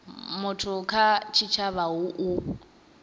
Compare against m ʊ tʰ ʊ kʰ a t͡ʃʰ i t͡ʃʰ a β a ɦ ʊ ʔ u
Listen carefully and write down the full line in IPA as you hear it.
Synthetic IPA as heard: m ʊ tʰ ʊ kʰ a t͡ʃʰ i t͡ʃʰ a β a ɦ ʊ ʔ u